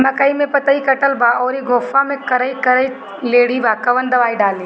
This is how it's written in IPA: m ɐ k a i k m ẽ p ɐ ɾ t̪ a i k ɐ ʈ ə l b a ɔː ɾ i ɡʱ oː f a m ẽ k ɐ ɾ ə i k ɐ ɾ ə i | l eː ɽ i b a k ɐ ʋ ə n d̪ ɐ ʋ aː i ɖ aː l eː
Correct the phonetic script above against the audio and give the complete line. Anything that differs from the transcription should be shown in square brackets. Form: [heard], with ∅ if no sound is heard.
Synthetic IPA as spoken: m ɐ k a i [∅] m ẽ p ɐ [∅] t̪ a i k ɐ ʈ ə l b a ɔː ɾ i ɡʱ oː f a m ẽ k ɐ ɾ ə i k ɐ ɾ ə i | l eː ɽ i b a k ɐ ʋ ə n d̪ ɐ ʋ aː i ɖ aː l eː